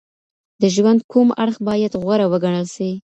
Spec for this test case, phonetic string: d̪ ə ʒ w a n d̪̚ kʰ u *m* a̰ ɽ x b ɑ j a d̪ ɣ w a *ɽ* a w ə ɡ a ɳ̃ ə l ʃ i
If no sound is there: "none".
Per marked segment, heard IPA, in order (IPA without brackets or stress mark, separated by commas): m, ɾ